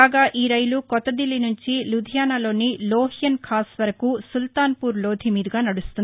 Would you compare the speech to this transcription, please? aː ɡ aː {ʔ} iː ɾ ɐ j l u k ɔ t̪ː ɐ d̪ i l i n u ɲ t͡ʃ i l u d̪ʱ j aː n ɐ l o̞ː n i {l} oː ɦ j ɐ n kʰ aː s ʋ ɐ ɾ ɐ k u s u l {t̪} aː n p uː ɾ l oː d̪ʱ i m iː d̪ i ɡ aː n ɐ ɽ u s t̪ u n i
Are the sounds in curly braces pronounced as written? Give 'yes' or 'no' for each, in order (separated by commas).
yes, yes, yes